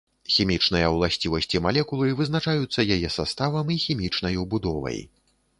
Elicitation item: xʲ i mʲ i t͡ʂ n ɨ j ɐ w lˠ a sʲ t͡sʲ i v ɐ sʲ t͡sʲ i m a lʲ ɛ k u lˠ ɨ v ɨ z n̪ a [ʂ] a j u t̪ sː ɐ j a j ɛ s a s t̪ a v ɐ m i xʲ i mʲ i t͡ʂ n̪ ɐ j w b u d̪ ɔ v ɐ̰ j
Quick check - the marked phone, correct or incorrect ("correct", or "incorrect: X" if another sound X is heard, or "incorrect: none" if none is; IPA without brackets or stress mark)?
incorrect: t͡ʂ